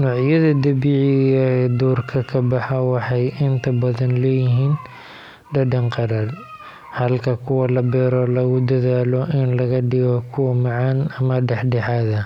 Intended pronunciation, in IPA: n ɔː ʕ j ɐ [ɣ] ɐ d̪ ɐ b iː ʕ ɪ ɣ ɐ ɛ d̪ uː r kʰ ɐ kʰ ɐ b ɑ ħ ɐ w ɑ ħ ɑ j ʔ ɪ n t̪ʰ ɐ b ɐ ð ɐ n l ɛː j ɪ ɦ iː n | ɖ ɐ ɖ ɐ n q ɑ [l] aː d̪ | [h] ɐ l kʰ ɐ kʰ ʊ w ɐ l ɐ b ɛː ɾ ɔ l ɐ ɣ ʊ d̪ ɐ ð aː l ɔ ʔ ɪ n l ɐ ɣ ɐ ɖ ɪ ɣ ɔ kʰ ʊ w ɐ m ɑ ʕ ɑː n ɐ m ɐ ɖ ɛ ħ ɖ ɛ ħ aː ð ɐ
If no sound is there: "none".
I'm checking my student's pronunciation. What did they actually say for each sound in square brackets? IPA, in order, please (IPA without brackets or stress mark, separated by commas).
ð, ɾ, h